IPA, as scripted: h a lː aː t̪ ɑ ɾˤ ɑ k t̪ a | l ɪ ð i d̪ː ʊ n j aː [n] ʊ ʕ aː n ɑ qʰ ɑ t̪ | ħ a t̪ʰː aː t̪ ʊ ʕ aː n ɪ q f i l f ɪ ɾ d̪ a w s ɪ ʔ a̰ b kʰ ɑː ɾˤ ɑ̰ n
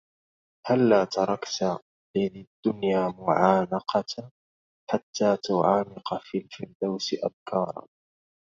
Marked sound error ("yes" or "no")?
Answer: yes